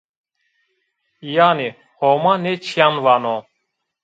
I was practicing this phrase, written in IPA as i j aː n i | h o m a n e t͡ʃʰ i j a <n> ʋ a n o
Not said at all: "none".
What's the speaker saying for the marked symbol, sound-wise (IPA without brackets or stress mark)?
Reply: n